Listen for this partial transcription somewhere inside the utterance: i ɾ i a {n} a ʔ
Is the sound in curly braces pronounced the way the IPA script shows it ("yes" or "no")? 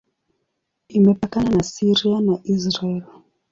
yes